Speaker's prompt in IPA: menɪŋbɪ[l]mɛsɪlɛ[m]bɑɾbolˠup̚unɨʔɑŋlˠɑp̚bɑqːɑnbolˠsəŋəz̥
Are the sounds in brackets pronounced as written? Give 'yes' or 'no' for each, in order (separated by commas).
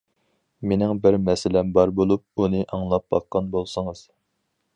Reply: no, yes